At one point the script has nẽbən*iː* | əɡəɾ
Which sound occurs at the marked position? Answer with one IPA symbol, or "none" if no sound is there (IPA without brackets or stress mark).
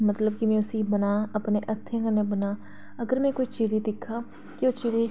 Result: aː